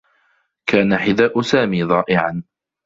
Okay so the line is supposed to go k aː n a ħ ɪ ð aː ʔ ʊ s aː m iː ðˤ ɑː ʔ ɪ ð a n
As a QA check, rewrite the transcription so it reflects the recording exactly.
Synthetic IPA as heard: k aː n a ħ ɪ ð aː ʔ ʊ s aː m iː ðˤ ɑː ʔ ɪ ʕ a n